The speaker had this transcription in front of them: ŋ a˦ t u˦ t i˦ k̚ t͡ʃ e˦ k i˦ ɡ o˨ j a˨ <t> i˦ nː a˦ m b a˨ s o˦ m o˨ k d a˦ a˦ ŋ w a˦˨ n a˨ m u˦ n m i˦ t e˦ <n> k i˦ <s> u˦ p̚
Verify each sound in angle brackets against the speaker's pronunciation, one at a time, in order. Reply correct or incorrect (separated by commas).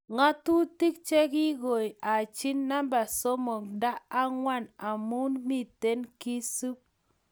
incorrect, correct, correct